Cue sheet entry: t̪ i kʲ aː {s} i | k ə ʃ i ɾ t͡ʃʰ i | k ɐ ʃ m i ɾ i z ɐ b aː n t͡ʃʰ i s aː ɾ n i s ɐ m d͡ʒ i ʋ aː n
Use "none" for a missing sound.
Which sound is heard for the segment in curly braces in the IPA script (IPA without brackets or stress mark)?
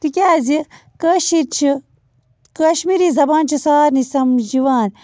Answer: z